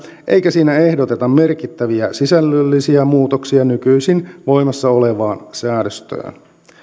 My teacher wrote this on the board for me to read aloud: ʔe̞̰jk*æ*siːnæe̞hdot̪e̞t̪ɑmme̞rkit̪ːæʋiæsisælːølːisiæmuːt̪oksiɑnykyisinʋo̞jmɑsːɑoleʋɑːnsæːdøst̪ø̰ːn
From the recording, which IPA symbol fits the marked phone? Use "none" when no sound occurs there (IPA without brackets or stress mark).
æ